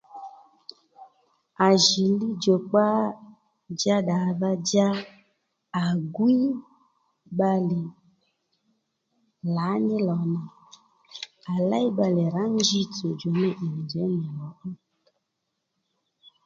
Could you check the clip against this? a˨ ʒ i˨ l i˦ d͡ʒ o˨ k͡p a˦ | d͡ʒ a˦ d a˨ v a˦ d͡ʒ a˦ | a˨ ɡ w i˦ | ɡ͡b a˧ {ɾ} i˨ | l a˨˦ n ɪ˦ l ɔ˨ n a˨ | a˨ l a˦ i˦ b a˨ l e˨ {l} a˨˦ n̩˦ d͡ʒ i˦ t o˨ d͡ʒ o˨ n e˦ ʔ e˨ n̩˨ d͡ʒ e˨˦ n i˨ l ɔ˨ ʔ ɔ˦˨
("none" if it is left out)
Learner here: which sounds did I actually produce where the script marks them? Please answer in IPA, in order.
l, ɾ

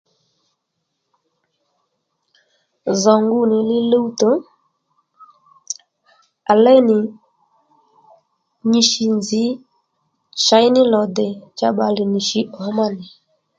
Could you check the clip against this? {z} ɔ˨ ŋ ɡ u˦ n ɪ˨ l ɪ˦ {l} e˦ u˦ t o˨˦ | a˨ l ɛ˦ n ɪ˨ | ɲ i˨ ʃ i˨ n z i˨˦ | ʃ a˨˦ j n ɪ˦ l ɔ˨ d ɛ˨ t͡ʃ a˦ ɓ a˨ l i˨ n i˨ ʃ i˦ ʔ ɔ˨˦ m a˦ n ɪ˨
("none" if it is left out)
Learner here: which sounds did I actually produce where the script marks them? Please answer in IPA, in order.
z, l

